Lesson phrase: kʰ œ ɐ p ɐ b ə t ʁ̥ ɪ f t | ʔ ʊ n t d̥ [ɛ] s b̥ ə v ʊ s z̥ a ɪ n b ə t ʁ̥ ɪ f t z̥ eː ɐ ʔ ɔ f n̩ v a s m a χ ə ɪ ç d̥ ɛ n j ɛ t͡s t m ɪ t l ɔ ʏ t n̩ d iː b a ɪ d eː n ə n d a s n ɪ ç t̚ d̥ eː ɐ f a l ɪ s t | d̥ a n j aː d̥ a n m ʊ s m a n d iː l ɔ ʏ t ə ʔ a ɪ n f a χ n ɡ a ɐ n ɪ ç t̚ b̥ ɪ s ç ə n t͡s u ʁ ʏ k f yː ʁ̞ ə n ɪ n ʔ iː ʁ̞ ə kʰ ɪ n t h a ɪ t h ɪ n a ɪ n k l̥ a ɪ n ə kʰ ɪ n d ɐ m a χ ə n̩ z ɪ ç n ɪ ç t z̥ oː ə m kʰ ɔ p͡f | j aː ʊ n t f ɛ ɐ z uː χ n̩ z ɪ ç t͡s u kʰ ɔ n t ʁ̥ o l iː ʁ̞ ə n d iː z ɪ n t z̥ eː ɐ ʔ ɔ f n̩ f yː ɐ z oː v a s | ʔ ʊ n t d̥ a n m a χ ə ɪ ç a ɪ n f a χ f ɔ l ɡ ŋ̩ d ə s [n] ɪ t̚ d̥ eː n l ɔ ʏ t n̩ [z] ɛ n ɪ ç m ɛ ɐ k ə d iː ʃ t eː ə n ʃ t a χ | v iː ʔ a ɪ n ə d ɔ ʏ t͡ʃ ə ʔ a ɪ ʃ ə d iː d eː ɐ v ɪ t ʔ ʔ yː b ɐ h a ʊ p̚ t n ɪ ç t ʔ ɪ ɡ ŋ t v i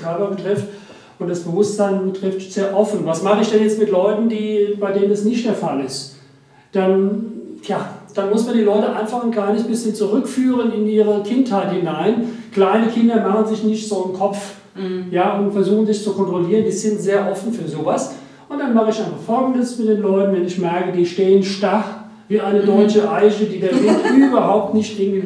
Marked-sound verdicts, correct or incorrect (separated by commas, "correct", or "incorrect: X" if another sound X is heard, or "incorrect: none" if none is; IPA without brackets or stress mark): incorrect: a, incorrect: m, incorrect: v